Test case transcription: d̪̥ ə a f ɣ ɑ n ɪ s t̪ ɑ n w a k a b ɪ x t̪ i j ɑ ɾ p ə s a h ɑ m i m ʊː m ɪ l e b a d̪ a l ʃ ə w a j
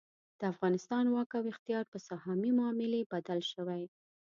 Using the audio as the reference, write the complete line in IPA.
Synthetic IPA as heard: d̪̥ ə a f ɣ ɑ n ɪ s t̪ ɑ n w ɑ k a w ɪ x t̪ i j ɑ ɾ p ə s a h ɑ m i m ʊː m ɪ l e b a d̪ a l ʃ ə w a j